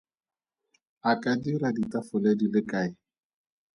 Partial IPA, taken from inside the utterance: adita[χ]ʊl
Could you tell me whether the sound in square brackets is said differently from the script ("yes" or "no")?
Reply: yes